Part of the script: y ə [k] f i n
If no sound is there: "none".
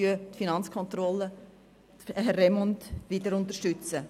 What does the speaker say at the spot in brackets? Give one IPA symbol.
t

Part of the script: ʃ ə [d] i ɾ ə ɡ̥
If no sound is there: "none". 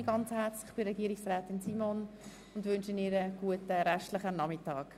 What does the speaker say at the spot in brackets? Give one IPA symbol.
n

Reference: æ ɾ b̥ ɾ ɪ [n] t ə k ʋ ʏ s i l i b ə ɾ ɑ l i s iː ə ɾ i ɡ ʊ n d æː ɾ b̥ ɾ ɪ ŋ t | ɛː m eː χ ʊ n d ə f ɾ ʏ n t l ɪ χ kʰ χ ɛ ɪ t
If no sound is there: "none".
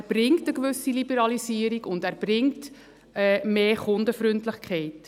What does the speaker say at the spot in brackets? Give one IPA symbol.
ŋ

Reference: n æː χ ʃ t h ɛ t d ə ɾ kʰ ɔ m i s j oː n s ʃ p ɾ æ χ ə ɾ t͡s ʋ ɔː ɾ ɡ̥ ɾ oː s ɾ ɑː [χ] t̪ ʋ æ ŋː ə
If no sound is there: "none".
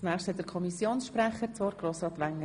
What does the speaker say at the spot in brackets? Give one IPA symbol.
none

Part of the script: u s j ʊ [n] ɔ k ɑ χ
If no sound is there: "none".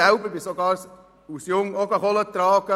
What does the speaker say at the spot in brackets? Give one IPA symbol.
ŋ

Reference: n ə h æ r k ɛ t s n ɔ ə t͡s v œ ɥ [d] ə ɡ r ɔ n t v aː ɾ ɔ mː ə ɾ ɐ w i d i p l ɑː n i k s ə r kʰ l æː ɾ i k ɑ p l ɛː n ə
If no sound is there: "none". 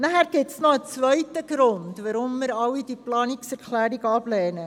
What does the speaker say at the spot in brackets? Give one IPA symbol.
t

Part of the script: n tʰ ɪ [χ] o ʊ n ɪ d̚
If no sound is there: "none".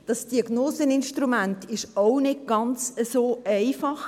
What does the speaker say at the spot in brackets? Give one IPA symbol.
ʃ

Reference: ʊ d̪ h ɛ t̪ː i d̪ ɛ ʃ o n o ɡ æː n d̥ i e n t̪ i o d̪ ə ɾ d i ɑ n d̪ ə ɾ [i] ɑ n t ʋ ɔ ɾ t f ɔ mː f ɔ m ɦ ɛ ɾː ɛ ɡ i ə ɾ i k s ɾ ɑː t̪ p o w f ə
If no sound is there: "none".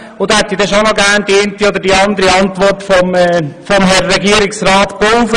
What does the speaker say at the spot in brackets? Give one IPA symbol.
i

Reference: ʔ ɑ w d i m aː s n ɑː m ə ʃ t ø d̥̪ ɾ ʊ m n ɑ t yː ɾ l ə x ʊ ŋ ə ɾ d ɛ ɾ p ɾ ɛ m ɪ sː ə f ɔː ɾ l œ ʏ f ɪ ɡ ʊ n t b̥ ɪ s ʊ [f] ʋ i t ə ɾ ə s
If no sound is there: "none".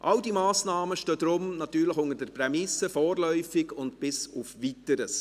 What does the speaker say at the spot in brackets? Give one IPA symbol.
f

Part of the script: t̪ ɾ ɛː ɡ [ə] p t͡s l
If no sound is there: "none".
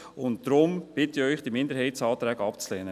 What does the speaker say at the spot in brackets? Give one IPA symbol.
ɑ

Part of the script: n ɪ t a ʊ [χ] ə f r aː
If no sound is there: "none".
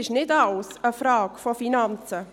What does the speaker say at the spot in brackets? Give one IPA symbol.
s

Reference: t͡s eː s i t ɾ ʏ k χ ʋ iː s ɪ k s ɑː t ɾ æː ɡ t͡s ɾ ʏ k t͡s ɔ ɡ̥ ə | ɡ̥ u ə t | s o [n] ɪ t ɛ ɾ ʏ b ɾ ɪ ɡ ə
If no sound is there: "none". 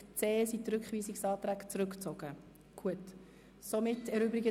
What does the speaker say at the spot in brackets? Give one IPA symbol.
m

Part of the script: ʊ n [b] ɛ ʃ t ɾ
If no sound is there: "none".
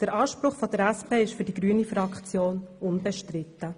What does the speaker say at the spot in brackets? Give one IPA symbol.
b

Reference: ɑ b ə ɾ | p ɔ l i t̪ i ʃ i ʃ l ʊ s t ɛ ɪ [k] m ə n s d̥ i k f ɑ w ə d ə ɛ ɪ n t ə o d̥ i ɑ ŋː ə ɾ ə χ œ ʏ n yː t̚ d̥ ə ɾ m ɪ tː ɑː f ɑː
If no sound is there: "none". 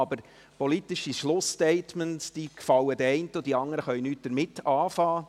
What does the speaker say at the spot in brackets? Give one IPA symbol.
t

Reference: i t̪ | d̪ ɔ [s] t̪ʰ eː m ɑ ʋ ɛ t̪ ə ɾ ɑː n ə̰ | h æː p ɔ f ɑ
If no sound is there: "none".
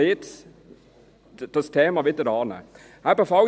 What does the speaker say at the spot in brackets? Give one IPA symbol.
s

